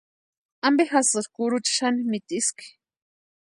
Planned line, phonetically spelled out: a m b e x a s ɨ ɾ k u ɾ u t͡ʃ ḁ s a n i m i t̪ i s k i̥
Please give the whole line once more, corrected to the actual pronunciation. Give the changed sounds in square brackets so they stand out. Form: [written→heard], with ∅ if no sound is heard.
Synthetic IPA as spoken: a m b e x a s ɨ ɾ k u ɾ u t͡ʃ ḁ [s→ʃ] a n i m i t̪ i s k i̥